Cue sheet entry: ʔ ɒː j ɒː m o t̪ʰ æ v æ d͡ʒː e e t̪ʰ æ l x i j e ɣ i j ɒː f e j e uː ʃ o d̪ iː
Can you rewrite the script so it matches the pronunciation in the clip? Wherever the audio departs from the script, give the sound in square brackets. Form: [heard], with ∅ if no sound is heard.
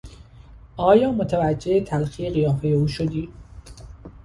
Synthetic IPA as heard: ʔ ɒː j ɒː m o t̪ʰ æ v æ d͡ʒː e e t̪ʰ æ l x i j e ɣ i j ɒː f e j e uː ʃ o d̪ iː